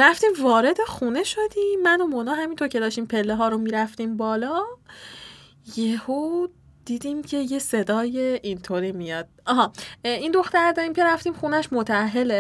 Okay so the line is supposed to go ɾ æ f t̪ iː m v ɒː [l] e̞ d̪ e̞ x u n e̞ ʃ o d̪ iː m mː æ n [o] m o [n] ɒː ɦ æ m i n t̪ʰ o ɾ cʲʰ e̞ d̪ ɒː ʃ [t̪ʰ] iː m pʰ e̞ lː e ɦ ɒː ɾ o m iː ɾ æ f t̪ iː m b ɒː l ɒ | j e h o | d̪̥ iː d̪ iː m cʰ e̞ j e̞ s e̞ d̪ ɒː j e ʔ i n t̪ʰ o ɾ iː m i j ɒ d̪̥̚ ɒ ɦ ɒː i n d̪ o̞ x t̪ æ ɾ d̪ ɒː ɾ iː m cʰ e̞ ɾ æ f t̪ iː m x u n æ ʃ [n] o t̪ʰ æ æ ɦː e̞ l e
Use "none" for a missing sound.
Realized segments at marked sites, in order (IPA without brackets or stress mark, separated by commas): ɾ, o, n, t̪, m